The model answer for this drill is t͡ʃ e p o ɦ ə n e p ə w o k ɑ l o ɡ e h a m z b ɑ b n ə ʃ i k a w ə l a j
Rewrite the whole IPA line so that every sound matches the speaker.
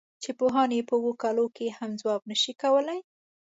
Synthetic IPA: t͡ʃ e p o ɦ ɑ n e p ə w o k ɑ l o k e h a m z w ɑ b n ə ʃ i k a w ə l a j